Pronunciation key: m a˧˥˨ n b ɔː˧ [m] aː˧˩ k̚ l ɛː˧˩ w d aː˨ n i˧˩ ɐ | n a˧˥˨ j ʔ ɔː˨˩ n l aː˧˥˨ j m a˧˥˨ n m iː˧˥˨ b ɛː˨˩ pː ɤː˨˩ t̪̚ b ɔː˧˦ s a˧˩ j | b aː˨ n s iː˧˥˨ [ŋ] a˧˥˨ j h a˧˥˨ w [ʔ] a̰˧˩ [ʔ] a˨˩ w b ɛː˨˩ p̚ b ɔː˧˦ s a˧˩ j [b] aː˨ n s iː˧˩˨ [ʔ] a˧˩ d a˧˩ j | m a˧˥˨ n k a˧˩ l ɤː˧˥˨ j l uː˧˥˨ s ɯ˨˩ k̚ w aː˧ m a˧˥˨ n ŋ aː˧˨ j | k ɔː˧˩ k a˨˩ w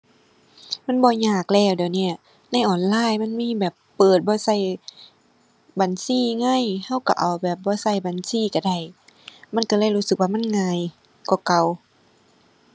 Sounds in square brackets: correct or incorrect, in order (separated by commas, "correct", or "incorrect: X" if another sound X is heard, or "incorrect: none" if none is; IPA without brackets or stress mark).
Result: incorrect: ɲ, correct, incorrect: k, correct, correct, incorrect: k